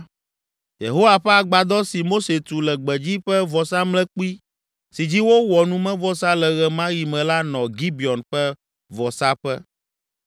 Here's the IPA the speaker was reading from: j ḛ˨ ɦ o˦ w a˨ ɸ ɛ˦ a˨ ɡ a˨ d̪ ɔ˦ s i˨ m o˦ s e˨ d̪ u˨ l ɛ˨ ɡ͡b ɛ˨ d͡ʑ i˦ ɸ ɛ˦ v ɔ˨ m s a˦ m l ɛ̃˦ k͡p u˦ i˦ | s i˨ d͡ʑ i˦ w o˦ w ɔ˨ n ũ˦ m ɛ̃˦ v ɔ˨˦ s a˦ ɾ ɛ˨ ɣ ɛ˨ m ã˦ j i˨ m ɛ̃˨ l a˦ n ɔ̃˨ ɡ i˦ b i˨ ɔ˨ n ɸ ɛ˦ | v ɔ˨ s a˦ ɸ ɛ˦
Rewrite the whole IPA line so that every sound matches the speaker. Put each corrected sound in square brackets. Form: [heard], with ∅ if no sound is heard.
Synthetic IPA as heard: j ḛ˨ ɦ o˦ w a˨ ɸ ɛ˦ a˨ [ɡ͡b] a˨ d̪ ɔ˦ s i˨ m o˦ s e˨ [t̪] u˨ l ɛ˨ ɡ͡b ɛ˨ d͡ʑ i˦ ɸ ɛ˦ v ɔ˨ [∅] s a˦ m l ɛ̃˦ k͡p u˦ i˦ | s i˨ d͡ʑ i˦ w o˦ w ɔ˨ n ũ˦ m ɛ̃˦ v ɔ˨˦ s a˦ [l] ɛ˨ ɣ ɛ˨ m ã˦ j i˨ m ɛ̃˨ l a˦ n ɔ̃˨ ɡ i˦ b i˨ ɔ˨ n ɸ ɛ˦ | v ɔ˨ s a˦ ɸ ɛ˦